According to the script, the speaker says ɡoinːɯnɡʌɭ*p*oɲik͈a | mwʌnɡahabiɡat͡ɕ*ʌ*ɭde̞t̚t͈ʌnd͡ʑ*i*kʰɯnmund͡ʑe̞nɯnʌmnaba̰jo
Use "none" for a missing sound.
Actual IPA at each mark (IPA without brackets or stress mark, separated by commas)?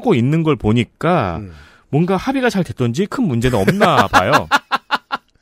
p, a, i